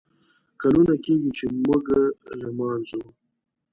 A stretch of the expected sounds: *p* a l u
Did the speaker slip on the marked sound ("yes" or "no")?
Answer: yes